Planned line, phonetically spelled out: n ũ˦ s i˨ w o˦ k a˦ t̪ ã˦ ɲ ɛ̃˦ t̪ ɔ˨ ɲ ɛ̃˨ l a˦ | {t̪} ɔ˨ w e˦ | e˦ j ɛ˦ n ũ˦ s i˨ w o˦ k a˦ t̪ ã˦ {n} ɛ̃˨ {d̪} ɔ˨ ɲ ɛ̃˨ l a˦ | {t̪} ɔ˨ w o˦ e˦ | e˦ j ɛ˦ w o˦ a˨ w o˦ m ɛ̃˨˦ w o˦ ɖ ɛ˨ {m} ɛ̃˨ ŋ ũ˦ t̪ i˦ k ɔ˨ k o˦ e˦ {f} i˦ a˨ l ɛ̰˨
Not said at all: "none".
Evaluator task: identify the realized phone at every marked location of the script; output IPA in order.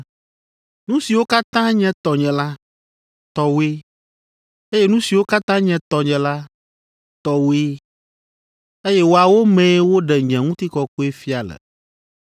t̪, ɲ, t̪, t̪, ɲ, f

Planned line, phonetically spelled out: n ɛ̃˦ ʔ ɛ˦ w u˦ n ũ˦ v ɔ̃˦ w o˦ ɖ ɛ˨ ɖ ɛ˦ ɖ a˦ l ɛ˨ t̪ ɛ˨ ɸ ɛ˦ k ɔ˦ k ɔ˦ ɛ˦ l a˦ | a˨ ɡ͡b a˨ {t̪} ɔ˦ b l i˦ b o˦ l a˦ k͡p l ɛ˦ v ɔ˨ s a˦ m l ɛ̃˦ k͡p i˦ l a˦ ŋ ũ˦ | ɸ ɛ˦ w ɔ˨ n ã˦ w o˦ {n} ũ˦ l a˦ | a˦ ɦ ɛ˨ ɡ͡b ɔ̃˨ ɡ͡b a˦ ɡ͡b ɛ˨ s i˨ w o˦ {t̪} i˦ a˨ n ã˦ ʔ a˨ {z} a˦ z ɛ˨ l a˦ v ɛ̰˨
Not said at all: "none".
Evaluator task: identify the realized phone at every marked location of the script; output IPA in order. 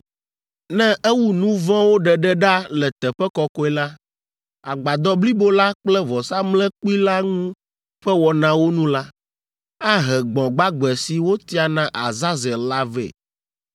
d̪, n, t̪, z

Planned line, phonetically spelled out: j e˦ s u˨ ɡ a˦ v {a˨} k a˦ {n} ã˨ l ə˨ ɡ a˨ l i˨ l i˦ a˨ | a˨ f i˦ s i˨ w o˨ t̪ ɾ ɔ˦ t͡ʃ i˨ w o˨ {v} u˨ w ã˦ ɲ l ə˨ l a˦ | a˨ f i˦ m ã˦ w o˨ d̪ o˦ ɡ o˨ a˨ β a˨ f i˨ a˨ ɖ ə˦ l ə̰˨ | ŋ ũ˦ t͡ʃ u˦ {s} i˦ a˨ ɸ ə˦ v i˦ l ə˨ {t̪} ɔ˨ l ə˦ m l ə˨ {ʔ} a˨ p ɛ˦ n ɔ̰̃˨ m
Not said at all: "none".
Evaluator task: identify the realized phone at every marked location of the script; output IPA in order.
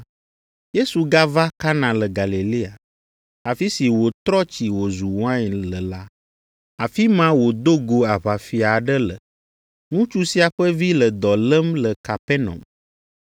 a˦, n, z, s, d̪, k

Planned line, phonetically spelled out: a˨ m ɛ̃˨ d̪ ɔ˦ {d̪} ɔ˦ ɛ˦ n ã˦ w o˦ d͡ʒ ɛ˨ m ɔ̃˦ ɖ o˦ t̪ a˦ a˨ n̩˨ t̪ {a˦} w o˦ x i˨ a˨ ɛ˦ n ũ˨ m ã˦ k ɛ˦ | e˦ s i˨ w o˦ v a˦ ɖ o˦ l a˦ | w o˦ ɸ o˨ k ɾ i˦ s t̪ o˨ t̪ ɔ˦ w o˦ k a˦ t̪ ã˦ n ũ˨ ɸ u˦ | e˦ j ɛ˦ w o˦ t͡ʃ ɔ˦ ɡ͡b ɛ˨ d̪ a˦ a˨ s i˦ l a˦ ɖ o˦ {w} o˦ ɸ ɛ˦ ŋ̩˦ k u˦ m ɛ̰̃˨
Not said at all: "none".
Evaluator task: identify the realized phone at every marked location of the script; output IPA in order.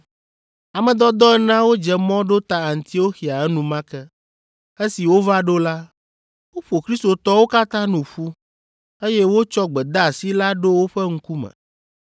d̪, i˦, w

